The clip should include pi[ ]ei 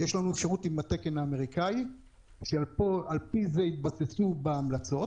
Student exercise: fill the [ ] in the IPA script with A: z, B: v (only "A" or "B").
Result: A